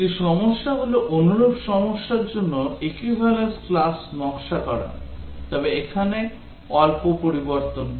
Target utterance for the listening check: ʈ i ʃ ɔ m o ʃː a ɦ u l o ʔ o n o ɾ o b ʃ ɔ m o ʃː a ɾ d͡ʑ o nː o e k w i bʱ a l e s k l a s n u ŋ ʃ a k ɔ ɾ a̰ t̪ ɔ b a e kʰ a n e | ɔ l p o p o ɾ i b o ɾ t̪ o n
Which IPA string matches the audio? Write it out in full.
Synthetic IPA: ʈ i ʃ ɔ m o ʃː a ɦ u l o ʔ o n u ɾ o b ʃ ɔ m o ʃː a ɾ d͡ʑ o nː o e k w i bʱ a l e s k l a s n ɔ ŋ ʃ a k ɔ ɾ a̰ t̪ ɔ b e e kʰ a n e | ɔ l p o p o ɾ i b o ɾ t̪ o n

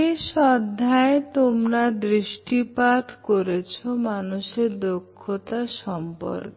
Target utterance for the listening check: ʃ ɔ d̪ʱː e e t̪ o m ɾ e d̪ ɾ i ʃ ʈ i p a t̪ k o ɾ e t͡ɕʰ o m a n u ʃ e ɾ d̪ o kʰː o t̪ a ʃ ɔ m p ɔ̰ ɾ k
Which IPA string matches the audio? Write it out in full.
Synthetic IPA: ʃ ɔ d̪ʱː a e t̪ o m ɾ a d̪ ɾ i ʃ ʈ i p a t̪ k o ɾ e t͡ɕʰ o m a n u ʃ e ɾ d̪ o kʰː o t̪ a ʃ ɔ m p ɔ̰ ɾ k

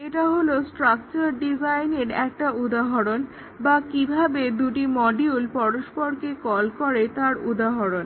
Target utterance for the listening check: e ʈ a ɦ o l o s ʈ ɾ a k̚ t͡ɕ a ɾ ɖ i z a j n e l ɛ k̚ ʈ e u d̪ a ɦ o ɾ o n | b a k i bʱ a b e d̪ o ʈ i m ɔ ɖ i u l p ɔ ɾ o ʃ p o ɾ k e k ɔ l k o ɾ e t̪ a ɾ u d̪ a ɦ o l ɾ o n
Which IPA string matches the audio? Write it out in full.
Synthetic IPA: e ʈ a ɦ o l o s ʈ ɾ a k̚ t͡ɕ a ɾ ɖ i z a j n e ɾ ɛ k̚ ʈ a u d̪ a ɦ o ɾ o n | b a k i bʱ a b e d̪ u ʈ i m ɔ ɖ i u l p ɔ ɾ o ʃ p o ɾ k e k ɔ l k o ɾ e t̪ a ɾ u d̪ a ɦ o ɾ o n

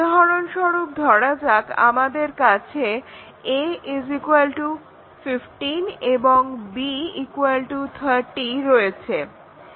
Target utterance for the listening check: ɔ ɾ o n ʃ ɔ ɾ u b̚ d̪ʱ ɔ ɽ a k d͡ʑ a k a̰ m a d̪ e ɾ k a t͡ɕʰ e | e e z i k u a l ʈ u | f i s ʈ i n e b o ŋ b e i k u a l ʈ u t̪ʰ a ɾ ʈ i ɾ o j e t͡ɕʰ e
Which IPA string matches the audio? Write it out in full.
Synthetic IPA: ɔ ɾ o n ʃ ɔ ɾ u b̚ d̪ʱ ɔ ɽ a d͡ʑ a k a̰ m a d̪ e ɾ k a t͡ɕʰ e | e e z i k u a l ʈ u | f i f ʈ i n e b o ŋ b i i k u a l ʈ u t̪ʰ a ɾ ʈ i ɾ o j e t͡ɕʰ e

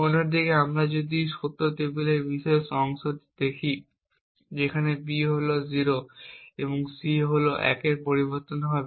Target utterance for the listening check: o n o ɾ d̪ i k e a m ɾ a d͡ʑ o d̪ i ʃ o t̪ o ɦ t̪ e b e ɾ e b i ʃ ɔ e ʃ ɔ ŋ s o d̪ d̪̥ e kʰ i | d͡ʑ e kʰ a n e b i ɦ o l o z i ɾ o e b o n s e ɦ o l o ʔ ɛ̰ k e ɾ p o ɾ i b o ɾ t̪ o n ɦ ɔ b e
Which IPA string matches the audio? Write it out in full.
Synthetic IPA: o n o ɾ d̪ i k e a m ɾ a d͡ʑ o d̪ i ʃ o t̪ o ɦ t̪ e b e l e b i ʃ ɔ e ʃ ɔ ŋ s o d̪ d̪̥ e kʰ i | d͡ʑ e kʰ a n e b i ɦ o l o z i ɾ o e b o ŋ s i ɦ o l o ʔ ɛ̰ k e ɾ p o ɾ i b o ɾ t̪ o n ɦ ɔ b e

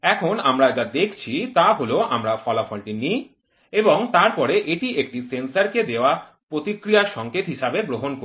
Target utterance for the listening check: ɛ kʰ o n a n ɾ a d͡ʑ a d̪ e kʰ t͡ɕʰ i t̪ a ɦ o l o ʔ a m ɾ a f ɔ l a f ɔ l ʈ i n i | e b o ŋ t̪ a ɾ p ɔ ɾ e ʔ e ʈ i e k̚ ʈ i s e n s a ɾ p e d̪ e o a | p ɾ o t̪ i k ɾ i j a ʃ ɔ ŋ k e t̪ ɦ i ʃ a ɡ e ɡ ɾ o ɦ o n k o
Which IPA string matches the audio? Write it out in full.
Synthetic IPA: ɛ kʰ o n a m ɾ a d͡ʑ a d̪ e kʰ t͡ɕʰ i t̪ a ɦ o l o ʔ a m ɾ a f ɔ l a f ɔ l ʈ i n i | e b o ŋ t̪ a ɾ p ɔ ɾ e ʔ e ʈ i e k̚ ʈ i s e n s a ɾ k e d̪ e o a | p ɾ o t̪ i k ɾ i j a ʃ ɔ ŋ k e t̪ ɦ i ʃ a b e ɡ ɾ o ɦ o n k o

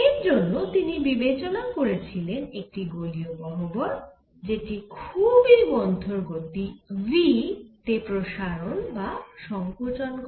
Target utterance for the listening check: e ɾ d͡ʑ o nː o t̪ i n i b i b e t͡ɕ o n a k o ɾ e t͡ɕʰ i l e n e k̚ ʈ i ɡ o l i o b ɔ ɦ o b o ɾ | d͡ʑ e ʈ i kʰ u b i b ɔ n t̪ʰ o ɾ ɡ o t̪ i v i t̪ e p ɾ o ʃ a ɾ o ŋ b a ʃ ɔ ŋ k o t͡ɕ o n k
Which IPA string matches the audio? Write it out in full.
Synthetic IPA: e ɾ d͡ʑ o nː o t̪ i n i b i b e t͡ɕ o n a k o ɾ e t͡ɕʰ i l e n e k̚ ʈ i ɡ o l i o b ɔ ɦ o b o ɾ | d͡ʑ e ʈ i kʰ u b i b ɔ n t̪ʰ o ɾ ɡ o t̪ i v i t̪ e p ɾ o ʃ a ɾ o n b a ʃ ɔ ŋ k o t͡ɕ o n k

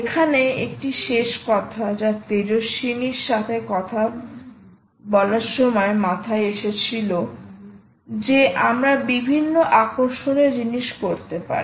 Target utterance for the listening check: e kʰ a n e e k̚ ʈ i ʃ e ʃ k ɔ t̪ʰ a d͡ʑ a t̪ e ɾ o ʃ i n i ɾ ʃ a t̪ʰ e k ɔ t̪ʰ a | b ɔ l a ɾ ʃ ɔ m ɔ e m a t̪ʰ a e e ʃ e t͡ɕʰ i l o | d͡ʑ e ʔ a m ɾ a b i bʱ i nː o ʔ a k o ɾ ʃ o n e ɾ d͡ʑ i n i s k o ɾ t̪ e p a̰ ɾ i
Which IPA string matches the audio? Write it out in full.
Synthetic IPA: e kʰ a n e e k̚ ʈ i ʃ e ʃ k ɔ t̪ʰ a d͡ʑ a t̪ e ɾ o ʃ i n i ɾ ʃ a t̪ʰ e k ɔ t̪ʰ a | b ɔ l a ɾ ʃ ɔ m ɔ e m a t̪ʰ a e e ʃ e t͡ɕʰ i l o | d͡ʑ e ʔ a m ɾ a b i bʱ i nː o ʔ a k o ɾ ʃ o n e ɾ d͡ʑ i n i ʃ k o ɾ t̪ e p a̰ ɾ i

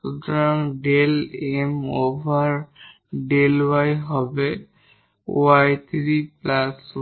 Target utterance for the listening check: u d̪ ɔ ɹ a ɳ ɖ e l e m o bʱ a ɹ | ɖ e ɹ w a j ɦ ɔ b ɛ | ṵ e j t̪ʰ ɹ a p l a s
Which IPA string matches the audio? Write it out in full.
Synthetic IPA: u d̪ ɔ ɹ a ŋ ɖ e l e m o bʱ a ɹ | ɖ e l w a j ɦ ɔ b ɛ | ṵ a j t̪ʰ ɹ i p l a s

